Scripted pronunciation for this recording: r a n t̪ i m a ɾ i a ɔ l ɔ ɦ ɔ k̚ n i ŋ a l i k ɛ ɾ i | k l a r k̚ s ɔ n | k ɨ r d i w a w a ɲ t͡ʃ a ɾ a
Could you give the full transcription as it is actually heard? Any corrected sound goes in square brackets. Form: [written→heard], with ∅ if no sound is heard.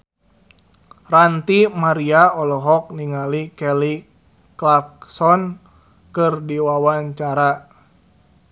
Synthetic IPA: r a n t̪ i m a ɾ i a ɔ l ɔ ɦ ɔ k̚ n i ŋ a l i k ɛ [ɾ→l] i | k l a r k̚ s ɔ n | k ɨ r d i w a w a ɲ t͡ʃ a ɾ a

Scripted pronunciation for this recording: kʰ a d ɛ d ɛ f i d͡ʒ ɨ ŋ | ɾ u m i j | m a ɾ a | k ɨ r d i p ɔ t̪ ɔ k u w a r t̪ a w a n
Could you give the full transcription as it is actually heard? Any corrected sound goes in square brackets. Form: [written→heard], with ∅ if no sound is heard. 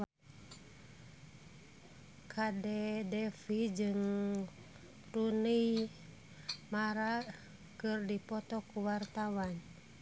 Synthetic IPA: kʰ a d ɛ d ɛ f i d͡ʒ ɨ ŋ | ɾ u [m→n] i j | m a ɾ a | k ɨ r d i p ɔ t̪ ɔ k u w a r t̪ a w a n

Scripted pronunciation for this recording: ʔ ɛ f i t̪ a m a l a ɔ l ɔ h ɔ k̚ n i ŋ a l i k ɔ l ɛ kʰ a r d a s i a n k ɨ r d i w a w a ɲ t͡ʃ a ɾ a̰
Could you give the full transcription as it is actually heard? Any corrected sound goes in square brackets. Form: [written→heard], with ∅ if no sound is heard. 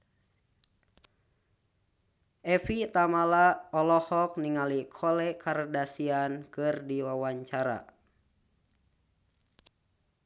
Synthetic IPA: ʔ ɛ f i t̪ a m a l a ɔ l ɔ h ɔ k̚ n i ŋ a l i [k→kʰ] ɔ l ɛ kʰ a r d a s i a n k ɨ r d i w a w a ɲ t͡ʃ a ɾ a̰

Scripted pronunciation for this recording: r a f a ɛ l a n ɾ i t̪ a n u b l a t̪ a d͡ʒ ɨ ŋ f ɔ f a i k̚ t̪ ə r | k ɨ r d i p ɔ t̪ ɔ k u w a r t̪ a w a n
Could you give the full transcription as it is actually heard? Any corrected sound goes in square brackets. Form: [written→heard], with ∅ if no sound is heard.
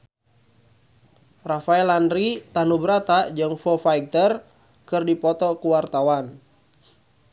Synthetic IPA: r a f a ɛ l a n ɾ i t̪ a n u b [l→ɾ] a t̪ a d͡ʒ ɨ ŋ f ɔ f a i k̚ t̪ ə r | k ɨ r d i p ɔ t̪ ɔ k u w a r t̪ a w a n

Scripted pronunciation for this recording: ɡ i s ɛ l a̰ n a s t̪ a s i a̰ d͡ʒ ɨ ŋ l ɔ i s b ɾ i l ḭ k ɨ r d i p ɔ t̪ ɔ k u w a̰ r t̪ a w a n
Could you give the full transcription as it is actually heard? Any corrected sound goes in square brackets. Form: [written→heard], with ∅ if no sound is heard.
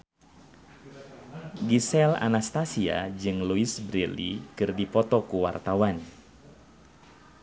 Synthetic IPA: ɡ i s ɛ l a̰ n a s t̪ a s i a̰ d͡ʒ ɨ ŋ l [ɔ→u] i s b ɾ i l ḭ k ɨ r d i p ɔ t̪ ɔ k u w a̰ r t̪ a w a n

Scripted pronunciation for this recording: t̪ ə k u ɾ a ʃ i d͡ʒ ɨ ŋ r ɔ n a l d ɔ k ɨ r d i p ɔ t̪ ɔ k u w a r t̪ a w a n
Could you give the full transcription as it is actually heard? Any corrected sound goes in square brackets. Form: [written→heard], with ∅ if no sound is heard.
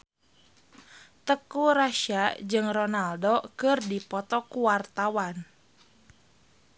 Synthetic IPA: t̪ ə k u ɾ a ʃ [i→a] d͡ʒ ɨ ŋ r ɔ n a l d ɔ k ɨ r d i p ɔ t̪ ɔ k u w a r t̪ a w a n

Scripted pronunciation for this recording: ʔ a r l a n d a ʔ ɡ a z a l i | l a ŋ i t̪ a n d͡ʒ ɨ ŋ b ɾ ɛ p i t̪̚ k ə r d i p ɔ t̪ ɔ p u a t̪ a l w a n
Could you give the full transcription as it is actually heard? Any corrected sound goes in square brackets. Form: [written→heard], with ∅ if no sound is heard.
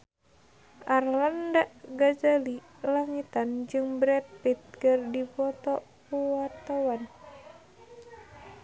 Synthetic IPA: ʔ a r l a n d a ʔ ɡ a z a l i | l a ŋ i t̪ a n d͡ʒ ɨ ŋ b ɾ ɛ p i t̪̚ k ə r d i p ɔ t̪ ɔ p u a t̪ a [l→∅] w a n

